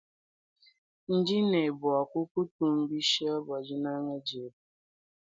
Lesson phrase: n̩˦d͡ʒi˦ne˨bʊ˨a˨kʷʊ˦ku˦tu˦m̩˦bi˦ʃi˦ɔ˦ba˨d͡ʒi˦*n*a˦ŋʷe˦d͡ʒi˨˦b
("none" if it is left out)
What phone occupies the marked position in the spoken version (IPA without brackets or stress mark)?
n